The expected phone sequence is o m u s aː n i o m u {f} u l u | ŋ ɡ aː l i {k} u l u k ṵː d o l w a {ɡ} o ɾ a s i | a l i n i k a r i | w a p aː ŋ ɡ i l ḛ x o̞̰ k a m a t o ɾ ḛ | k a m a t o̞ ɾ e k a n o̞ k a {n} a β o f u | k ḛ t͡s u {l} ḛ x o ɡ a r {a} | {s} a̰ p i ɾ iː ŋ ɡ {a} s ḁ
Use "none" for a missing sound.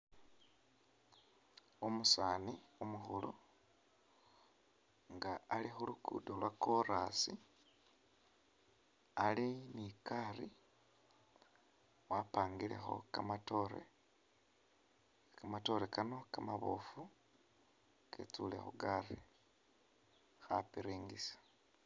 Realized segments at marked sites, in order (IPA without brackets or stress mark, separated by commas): x, x, k, m, l, i, x, i